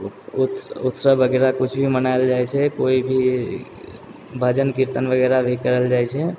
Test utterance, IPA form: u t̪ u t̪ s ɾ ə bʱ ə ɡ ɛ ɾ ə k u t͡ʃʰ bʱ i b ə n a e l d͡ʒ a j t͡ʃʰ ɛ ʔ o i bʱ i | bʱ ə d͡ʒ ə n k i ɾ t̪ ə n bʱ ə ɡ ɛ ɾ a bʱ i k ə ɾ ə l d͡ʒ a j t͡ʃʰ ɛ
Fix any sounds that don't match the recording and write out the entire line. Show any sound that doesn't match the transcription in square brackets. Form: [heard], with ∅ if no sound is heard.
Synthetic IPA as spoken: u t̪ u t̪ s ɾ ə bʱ ə ɡ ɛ ɾ [a] k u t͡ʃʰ bʱ i [m] ə n a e l d͡ʒ a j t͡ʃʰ ɛ [k] o i bʱ i | bʱ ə d͡ʒ ə n k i ɾ t̪ ə n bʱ ə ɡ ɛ ɾ a bʱ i k ə ɾ ə l d͡ʒ a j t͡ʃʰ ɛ